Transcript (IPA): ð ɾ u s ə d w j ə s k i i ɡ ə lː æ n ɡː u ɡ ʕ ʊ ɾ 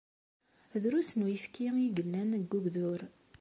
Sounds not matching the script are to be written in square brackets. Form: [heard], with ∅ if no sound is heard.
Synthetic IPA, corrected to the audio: ð ɾ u s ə [n] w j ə [f] k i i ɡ ə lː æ n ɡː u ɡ [ð] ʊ ɾ